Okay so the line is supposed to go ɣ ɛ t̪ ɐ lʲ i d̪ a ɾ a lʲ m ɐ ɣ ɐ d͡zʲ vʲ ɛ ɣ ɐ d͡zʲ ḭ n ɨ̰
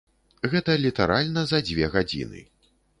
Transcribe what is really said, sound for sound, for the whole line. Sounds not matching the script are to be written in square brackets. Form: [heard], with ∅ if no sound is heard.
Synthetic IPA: ɣ ɛ t̪ ɐ lʲ i [t̪] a ɾ a lʲ [n] ɐ [z] ɐ d͡zʲ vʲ ɛ ɣ [a] d͡zʲ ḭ n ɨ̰